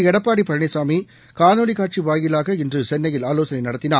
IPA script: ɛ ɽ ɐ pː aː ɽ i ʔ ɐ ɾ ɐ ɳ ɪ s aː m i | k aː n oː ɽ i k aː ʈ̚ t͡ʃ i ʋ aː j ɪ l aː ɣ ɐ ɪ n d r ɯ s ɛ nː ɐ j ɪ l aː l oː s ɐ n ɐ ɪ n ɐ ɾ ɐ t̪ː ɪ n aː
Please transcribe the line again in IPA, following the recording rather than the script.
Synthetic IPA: ɛ ɽ ɐ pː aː ɽ i p ɐ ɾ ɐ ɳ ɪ s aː m i | k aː n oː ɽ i k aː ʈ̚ t͡ʃ i ʋ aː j ɪ l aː ɣ ɐ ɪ n d r ɯ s ɛ nː ɐ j ɪ l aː l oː s ɐ n ɐ ɪ n ɐ ɽ ɐ t̪ː ɪ n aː